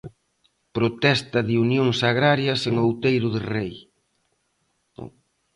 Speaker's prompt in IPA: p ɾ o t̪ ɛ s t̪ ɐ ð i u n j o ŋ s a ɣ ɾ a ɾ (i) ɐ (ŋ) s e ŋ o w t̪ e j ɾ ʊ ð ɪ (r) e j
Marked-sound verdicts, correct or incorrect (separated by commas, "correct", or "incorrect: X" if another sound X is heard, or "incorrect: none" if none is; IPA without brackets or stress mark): incorrect: j, incorrect: none, correct